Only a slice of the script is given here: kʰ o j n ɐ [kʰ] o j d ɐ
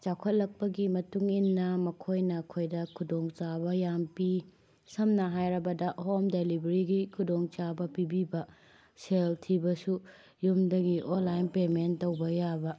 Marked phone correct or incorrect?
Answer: correct